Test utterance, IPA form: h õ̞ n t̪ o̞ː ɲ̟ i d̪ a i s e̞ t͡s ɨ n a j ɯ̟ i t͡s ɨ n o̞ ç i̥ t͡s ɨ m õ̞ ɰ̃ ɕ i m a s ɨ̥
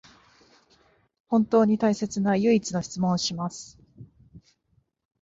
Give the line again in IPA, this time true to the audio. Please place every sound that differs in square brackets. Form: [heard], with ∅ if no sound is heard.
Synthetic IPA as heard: h õ̞ n t̪ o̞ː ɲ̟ i [t̪] a i s e̞ t͡s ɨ n a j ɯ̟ i t͡s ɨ n o̞ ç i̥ t͡s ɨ m õ̞ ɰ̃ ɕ i m a s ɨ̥